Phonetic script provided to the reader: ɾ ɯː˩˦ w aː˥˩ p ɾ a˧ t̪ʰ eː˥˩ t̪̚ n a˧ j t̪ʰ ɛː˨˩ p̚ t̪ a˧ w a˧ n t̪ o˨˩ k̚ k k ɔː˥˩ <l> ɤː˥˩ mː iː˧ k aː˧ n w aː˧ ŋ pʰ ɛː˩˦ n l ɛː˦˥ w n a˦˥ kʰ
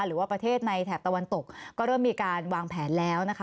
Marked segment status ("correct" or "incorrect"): incorrect